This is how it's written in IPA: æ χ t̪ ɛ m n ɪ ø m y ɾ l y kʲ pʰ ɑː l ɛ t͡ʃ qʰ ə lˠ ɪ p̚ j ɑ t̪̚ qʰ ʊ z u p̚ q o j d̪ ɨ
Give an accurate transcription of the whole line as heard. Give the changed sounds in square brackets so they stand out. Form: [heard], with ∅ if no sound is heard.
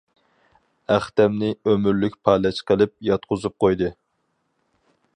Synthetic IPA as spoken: æ χ t̪ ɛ m n ɪ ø m y ɾ l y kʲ pʰ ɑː l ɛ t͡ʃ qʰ ə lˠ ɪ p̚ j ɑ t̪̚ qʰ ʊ z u p̚ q o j d̪ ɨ